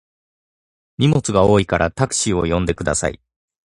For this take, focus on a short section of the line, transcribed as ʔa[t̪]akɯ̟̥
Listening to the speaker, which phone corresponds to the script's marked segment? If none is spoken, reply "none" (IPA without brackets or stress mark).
t̪